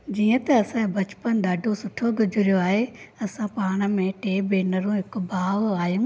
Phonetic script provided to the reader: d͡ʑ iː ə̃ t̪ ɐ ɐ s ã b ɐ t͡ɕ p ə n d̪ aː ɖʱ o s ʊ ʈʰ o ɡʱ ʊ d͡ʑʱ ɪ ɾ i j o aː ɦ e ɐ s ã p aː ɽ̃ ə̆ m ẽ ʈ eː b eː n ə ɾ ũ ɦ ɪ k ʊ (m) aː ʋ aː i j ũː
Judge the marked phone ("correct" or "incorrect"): incorrect